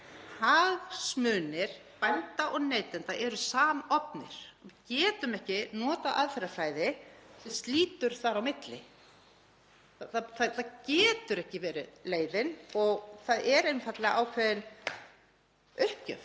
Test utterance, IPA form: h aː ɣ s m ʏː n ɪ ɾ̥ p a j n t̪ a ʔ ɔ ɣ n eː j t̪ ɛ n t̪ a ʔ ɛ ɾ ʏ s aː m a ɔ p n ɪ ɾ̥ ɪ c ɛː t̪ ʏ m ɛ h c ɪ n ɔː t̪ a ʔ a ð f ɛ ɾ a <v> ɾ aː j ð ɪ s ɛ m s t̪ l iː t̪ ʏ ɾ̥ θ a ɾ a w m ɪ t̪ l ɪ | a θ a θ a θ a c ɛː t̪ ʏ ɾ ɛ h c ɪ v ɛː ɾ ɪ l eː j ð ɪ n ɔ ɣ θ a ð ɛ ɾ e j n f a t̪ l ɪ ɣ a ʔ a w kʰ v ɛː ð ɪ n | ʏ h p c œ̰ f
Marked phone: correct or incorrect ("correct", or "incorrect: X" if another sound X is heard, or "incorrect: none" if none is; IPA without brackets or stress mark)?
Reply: incorrect: f